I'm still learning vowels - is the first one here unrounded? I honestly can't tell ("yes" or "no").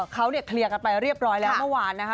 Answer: yes